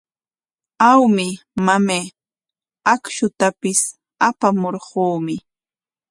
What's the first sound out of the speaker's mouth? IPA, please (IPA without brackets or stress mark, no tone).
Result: a